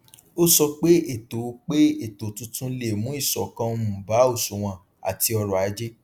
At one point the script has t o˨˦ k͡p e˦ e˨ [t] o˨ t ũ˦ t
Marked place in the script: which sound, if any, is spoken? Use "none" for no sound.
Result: t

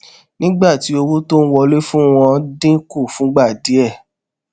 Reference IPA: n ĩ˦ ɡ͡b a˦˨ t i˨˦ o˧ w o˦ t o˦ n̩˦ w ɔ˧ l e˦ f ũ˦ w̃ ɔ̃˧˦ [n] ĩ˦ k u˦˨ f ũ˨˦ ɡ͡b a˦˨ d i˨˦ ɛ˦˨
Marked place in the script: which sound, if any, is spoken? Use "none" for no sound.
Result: d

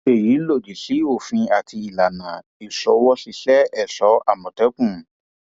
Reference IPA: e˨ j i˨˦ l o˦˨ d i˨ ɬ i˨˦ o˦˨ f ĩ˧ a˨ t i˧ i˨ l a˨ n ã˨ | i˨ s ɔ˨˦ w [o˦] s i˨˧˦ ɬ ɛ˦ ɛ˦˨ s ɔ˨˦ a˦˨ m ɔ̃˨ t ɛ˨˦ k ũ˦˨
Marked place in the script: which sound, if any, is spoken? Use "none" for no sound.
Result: ɔ˦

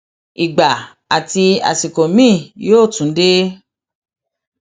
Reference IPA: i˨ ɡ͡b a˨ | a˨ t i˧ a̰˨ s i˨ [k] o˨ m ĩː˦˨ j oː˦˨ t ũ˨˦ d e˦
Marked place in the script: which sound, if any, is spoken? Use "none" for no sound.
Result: k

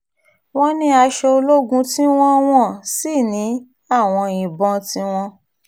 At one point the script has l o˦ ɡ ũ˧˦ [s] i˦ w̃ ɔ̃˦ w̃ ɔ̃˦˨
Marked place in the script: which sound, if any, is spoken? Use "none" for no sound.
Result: t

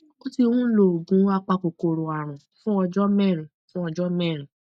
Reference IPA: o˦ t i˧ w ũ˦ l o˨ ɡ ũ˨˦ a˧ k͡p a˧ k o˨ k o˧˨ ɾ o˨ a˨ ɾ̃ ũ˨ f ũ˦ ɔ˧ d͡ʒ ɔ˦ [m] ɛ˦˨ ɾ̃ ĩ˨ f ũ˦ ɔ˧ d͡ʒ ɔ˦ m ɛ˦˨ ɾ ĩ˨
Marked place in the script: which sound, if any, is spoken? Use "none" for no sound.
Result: m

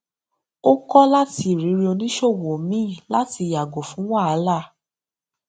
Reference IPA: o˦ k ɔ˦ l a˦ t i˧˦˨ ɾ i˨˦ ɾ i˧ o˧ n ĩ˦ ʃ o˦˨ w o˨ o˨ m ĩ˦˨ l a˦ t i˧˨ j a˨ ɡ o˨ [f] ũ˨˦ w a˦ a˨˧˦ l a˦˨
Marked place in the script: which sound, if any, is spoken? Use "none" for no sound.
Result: f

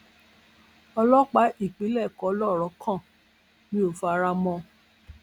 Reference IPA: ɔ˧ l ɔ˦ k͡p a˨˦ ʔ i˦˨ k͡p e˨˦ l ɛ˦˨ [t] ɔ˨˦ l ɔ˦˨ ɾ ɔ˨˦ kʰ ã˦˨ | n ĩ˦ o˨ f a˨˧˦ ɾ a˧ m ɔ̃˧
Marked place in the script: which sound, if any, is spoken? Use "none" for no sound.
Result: k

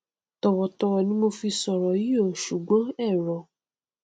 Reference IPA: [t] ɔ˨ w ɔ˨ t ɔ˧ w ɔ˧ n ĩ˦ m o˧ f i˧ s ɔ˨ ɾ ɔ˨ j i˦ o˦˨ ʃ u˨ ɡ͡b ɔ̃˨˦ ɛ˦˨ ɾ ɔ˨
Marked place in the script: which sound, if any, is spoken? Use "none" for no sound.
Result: t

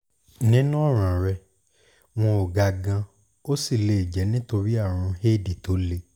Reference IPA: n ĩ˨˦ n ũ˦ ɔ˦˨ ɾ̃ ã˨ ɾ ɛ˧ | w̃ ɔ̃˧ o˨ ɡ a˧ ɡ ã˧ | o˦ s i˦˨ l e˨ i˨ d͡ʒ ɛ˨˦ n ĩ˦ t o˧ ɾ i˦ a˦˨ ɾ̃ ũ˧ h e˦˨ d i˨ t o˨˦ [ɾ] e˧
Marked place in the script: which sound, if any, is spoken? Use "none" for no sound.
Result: l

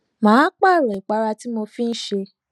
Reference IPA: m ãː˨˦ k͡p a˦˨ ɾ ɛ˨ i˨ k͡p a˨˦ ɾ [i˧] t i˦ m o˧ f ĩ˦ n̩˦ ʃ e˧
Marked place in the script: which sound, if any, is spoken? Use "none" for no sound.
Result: a˧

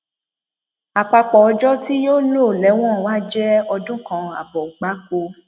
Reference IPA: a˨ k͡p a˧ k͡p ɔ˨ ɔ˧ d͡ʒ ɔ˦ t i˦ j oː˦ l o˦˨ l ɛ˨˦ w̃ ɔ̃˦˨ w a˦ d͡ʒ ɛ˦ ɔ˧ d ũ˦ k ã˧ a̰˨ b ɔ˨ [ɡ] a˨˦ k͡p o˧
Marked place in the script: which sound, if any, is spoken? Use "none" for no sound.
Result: ɡ͡b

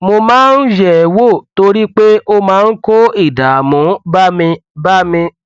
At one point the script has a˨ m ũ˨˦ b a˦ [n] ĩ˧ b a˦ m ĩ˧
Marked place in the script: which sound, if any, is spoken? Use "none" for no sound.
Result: m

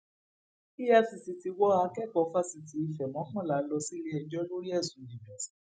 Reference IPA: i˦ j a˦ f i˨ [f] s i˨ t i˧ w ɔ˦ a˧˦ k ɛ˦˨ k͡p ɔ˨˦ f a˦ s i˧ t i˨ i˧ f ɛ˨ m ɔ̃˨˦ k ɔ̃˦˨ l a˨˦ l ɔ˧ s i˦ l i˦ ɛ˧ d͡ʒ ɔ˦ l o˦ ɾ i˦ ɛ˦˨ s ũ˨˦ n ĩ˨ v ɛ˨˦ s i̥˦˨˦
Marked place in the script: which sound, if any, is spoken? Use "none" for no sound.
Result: none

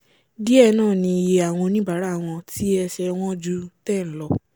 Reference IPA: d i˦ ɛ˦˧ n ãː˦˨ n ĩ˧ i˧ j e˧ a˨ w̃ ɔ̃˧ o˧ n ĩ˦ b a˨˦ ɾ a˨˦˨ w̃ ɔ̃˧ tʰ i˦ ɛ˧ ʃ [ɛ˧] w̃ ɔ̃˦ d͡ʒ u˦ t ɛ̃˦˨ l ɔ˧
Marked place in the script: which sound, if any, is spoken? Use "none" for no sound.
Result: ɛ˧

